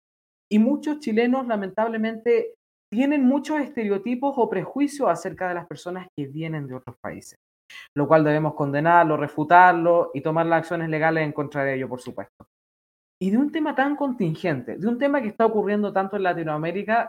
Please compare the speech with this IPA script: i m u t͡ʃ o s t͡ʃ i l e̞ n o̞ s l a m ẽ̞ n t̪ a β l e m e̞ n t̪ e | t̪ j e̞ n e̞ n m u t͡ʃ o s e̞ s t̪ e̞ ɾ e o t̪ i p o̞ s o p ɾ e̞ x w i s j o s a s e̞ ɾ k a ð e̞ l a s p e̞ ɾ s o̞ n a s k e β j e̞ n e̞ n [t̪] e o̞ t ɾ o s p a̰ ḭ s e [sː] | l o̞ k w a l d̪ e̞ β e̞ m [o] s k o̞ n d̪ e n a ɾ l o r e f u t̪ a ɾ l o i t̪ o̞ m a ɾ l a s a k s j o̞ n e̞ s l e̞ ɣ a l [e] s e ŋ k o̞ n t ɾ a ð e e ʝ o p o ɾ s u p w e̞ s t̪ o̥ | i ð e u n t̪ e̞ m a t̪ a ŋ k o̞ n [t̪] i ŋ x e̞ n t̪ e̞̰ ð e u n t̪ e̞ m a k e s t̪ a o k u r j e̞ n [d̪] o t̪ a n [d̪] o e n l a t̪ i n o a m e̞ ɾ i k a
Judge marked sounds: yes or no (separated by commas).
no, no, yes, yes, yes, yes, no